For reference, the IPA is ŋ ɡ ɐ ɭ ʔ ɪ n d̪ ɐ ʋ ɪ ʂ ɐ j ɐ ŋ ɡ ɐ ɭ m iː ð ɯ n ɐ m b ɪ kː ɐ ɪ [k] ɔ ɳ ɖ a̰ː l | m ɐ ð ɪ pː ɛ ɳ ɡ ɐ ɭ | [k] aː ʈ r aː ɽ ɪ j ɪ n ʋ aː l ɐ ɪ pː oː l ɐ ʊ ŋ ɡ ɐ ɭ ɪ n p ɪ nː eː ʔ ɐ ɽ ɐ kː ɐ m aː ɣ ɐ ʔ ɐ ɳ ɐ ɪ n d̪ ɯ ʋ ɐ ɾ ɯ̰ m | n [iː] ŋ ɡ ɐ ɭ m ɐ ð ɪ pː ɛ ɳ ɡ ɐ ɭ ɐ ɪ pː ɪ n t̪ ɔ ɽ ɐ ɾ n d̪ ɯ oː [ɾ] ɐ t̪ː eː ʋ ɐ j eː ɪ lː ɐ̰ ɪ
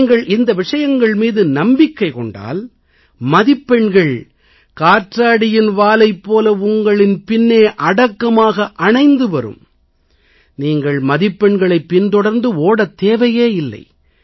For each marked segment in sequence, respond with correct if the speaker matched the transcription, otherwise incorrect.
correct, correct, correct, incorrect

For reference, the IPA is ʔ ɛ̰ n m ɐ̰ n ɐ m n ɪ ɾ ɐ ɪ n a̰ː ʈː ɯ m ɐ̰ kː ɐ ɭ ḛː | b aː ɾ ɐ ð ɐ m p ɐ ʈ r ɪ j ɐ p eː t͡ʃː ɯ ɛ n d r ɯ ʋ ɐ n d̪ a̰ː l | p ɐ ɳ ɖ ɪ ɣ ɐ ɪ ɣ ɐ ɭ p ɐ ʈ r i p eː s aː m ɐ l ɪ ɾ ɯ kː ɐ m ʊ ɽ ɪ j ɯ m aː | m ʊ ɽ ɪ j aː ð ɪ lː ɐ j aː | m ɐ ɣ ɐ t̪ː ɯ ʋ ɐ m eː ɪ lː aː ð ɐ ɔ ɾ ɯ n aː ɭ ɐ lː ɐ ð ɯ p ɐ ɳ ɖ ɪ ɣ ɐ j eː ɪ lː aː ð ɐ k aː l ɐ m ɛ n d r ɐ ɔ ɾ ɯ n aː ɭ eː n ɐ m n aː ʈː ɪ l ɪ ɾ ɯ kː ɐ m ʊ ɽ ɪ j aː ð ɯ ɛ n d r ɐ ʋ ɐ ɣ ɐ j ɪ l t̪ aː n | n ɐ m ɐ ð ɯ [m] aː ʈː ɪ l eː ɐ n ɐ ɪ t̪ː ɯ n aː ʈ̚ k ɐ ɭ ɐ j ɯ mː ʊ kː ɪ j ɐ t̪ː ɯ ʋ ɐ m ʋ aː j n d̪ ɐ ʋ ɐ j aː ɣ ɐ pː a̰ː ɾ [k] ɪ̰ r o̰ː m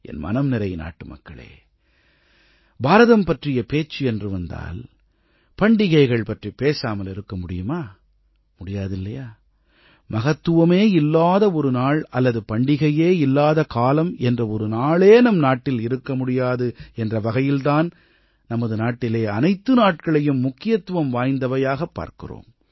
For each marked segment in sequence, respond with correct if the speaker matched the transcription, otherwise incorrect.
incorrect, correct

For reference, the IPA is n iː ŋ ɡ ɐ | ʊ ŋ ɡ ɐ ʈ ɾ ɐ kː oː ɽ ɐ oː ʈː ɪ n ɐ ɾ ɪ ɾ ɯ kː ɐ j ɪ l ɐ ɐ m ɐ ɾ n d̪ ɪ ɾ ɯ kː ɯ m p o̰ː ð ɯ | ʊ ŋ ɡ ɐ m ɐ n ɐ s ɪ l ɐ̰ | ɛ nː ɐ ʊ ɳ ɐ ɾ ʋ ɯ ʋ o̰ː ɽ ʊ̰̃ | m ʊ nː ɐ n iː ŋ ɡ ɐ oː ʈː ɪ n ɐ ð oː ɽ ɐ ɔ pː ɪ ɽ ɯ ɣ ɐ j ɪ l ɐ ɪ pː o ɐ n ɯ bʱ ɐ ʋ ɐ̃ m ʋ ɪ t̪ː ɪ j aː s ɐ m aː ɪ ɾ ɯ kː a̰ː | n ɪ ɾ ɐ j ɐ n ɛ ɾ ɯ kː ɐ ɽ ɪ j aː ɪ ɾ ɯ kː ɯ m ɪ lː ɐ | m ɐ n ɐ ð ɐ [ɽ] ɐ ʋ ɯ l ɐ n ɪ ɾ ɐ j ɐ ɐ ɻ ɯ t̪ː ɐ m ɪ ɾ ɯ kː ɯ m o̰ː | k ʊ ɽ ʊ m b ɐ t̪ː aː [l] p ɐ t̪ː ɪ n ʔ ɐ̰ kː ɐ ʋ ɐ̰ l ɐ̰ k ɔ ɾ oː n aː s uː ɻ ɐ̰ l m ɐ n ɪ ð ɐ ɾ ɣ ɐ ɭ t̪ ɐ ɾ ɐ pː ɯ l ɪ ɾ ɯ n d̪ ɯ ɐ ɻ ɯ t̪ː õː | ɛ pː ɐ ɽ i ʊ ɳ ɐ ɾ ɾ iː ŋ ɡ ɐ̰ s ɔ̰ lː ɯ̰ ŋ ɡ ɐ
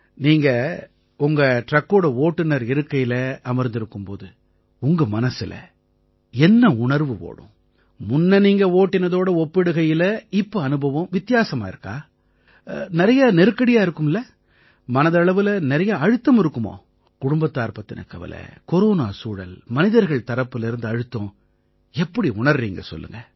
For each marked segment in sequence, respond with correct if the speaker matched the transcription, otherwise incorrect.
incorrect, incorrect

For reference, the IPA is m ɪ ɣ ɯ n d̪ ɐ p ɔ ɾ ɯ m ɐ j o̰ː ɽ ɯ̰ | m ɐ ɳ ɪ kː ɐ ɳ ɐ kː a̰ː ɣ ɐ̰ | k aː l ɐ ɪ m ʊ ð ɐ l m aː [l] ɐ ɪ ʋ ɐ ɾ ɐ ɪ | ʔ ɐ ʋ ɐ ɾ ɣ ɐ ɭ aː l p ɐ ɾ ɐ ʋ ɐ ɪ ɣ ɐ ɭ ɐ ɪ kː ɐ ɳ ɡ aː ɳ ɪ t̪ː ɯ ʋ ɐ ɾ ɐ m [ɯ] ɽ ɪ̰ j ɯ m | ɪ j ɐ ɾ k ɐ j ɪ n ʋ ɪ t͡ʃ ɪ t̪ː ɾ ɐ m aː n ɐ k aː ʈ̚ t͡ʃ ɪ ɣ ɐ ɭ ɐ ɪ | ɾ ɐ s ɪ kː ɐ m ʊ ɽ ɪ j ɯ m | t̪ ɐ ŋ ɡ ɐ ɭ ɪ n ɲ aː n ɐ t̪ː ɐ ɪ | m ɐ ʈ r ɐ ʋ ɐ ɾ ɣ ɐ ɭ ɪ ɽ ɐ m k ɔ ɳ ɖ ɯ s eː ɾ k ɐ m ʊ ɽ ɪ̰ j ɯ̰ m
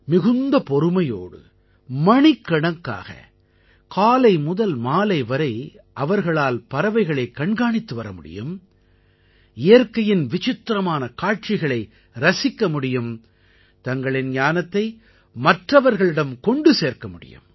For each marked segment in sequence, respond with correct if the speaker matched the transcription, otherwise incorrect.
correct, incorrect

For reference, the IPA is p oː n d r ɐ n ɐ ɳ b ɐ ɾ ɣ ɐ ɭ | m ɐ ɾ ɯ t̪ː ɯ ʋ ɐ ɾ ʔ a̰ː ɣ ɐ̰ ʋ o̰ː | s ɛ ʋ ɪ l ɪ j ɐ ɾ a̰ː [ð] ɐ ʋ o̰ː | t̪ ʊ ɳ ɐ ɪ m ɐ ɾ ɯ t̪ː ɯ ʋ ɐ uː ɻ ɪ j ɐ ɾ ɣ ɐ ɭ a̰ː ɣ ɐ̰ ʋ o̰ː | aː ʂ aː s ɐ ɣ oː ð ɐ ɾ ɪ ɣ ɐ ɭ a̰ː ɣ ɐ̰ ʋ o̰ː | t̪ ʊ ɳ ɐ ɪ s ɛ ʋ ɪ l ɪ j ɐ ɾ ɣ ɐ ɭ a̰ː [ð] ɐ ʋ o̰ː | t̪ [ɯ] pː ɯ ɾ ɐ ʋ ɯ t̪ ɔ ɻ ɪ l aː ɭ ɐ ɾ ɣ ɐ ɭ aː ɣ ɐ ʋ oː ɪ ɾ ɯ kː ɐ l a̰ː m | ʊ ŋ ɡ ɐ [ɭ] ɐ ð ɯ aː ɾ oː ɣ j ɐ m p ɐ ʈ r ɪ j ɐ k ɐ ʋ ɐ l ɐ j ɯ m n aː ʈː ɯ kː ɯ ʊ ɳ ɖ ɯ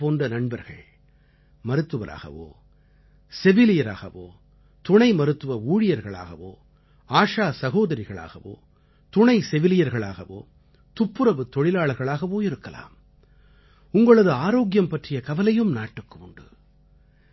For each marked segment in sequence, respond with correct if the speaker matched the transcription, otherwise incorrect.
incorrect, incorrect, incorrect, correct

